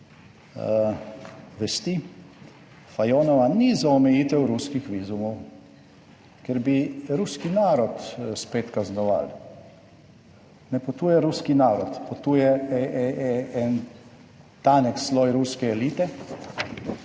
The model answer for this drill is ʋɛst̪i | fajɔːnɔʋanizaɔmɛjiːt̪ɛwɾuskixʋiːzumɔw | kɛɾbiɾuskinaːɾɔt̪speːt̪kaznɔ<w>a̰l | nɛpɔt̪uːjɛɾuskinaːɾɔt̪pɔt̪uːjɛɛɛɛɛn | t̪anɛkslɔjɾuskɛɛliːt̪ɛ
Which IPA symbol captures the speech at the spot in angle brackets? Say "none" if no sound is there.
ʋ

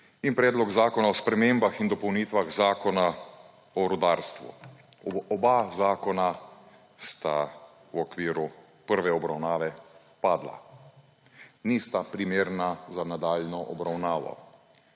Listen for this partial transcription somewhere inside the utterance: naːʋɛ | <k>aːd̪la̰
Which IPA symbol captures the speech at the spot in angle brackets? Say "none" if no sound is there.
p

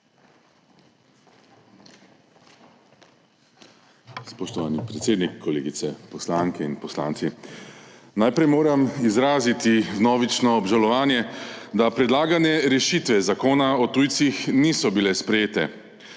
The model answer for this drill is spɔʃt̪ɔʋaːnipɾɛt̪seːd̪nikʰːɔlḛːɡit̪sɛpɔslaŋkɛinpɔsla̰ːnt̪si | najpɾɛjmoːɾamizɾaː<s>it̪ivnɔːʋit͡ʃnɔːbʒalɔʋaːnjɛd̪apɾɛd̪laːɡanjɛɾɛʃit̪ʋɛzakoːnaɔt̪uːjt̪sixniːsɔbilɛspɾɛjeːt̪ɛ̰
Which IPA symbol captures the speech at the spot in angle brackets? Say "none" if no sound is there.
z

